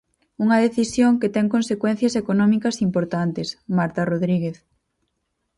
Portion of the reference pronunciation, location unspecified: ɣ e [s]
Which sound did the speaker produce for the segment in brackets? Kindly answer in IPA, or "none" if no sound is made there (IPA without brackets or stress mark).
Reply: θ